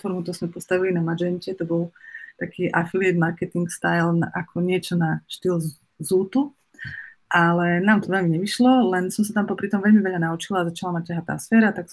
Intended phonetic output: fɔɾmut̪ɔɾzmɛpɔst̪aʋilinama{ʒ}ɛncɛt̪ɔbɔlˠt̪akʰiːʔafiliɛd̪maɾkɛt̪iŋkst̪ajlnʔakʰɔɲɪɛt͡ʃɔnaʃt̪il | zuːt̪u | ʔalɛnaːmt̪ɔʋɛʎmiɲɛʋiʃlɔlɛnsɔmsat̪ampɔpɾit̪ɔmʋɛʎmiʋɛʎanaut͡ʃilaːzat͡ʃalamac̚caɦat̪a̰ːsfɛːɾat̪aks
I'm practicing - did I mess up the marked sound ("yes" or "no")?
yes